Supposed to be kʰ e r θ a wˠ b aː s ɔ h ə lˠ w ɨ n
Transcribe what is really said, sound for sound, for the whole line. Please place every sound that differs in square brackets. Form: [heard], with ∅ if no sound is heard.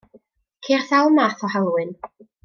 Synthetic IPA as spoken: kʰ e r θ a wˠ [m] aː [θ] ɔ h [a] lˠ w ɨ n